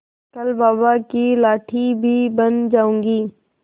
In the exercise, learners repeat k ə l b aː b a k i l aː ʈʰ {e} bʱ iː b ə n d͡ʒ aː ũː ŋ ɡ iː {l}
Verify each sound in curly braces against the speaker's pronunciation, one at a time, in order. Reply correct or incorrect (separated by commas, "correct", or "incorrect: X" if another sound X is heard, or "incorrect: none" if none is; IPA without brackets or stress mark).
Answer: incorrect: i, incorrect: none